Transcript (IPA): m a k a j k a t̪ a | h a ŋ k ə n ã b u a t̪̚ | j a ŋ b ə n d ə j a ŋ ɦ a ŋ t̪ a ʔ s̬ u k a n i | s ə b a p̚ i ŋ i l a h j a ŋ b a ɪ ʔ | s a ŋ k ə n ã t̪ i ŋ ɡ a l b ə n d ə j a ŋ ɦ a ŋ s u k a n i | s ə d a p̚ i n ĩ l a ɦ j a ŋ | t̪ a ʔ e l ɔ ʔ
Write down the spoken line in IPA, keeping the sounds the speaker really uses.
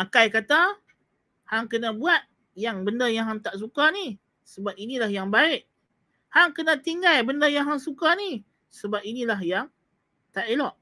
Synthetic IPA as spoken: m a k a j k a t̪ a | h a ŋ k ə n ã b u a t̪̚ | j a ŋ b ə n d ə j a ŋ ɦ a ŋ t̪ a ʔ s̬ u k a n i | s ə b a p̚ i n i l a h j a ŋ b a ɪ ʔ | h a ŋ k ə n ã t̪ i ŋ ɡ a l b ə n d ə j a ŋ ɦ a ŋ s u k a n i | s ə b a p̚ i n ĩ l a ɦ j a ŋ | t̪ a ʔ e l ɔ ʔ